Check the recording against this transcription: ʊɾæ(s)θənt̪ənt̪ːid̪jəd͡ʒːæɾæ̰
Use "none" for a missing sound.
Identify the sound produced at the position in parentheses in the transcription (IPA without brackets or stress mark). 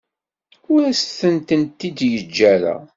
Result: s